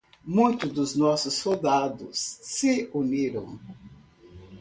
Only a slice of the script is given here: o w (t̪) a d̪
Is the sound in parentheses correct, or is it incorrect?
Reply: incorrect: d̪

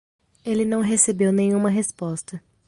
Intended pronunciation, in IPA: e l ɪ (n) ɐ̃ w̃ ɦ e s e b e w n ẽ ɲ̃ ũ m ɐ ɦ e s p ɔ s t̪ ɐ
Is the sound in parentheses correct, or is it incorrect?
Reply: correct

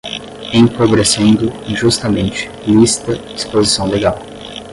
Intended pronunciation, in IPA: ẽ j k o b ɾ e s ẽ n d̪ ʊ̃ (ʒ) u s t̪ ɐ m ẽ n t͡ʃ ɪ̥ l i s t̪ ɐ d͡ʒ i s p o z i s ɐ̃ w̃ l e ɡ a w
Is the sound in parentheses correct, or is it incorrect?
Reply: correct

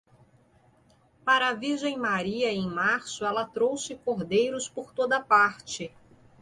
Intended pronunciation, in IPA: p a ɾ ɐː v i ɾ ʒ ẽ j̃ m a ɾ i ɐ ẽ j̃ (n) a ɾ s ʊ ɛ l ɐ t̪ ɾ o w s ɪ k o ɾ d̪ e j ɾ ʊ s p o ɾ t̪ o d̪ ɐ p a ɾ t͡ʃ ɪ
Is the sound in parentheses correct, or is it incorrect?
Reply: incorrect: m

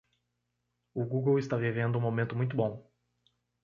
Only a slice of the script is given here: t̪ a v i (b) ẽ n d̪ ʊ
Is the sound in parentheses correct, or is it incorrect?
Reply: incorrect: v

